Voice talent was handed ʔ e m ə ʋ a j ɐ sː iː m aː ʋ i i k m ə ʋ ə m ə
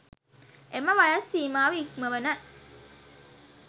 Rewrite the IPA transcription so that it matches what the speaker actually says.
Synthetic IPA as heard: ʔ e m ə ʋ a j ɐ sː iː m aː ʋ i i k m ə ʋ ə n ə